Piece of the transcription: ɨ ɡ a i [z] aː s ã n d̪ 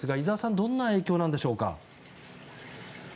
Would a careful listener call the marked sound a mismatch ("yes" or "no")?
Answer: no